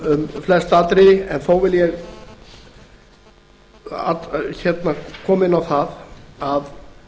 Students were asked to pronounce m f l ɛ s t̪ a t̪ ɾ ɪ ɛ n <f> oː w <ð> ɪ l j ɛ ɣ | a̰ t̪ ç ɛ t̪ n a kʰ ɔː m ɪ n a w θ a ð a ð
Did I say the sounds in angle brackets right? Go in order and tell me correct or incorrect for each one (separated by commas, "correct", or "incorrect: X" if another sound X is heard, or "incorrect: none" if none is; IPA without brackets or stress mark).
incorrect: θ, incorrect: v